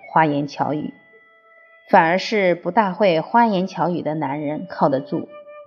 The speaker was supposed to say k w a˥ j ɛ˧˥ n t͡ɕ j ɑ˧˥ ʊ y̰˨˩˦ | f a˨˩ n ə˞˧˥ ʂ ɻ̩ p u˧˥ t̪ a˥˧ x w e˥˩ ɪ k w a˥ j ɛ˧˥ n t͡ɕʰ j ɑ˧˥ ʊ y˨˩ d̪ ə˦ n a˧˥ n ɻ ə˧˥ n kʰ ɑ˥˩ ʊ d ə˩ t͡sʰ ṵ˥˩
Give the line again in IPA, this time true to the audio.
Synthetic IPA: x w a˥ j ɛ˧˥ n t͡ɕʰ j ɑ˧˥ ʊ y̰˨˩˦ | f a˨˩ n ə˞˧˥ ʂ ɻ̩ p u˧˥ t̪ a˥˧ x w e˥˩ ɪ x w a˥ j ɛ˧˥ n t͡ɕʰ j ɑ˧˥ ʊ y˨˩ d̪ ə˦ n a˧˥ n ɻ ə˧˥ n kʰ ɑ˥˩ ʊ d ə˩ t͡s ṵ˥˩